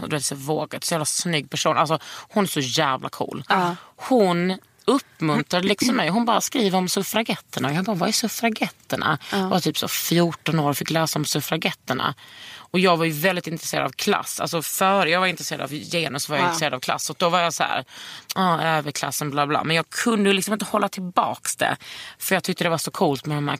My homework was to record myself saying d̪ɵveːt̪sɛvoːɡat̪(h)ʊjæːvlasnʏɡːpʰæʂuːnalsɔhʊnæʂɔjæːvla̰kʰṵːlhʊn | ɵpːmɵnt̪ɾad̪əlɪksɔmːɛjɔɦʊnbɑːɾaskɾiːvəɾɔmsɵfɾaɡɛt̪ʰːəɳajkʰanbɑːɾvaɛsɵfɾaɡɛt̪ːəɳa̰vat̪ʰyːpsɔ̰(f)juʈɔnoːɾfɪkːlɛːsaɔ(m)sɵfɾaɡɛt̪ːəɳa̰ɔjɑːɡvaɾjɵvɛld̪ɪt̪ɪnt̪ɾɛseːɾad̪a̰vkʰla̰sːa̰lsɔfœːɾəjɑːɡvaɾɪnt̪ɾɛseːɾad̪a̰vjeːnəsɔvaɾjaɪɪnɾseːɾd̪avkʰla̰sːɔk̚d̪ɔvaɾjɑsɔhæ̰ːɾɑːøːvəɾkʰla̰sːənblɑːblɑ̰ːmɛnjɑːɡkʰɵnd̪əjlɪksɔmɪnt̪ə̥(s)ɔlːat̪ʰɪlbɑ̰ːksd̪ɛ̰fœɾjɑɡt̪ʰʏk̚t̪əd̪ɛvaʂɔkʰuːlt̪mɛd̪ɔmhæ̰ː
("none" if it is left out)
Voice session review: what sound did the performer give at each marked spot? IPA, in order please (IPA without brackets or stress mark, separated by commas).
s, f, m, h